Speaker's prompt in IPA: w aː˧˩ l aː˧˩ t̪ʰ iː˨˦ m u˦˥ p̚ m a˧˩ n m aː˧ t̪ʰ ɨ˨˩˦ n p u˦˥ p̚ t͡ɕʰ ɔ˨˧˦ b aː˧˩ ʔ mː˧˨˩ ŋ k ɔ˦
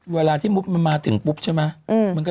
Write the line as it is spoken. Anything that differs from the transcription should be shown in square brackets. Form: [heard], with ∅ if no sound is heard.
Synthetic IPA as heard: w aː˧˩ l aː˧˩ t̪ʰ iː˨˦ m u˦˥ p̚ m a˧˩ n m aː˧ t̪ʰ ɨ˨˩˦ [ŋ] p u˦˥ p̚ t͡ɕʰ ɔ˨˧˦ [m] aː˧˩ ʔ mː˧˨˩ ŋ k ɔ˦